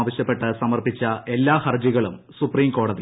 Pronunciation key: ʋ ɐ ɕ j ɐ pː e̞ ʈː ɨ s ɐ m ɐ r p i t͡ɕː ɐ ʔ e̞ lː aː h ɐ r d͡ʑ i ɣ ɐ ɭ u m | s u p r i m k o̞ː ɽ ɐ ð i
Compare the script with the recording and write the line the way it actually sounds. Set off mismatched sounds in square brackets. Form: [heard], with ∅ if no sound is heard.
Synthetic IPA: ʋ ɐ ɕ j ɐ pː e̞ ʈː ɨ s ɐ m ɐ r p i t͡ɕː ɐ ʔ e̞ lː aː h ɐ r d͡ʑ i ɣ ɐ ɭ u m | s u p r [iː] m k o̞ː ɽ ɐ ð i